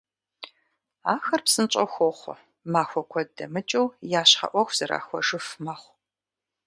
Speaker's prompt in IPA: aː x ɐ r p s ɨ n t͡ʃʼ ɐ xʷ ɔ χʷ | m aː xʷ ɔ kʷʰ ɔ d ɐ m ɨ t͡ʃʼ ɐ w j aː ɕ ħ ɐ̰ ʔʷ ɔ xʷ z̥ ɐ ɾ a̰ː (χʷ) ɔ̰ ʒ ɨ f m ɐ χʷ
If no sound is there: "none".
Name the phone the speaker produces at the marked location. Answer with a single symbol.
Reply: xʷ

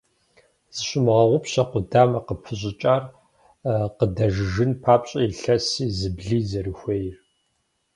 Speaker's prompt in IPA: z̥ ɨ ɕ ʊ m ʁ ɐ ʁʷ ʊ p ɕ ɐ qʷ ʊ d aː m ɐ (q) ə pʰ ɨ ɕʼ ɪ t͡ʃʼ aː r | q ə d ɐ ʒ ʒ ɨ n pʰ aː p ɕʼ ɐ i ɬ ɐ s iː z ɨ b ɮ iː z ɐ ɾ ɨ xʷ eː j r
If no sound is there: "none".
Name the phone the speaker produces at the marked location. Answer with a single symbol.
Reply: q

